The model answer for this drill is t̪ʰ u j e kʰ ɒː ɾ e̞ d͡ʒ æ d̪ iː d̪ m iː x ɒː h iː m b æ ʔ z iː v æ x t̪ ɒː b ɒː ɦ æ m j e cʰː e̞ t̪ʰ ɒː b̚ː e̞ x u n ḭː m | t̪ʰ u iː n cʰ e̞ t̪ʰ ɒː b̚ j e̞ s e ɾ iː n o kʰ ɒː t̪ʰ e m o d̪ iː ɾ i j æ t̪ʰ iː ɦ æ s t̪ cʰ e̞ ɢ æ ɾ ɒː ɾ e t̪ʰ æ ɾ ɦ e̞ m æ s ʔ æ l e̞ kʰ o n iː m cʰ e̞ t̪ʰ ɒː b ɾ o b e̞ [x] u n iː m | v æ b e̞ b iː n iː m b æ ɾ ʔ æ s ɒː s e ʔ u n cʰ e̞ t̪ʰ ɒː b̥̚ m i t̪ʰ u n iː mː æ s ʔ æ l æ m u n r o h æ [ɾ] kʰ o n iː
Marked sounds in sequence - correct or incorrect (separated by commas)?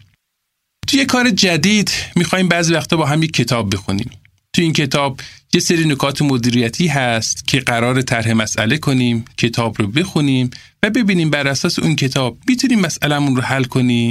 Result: correct, incorrect